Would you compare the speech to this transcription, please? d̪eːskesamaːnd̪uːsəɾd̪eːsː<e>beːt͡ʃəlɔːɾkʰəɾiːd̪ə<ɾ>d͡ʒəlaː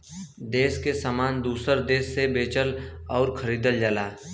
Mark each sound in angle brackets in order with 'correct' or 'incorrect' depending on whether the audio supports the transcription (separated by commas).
correct, incorrect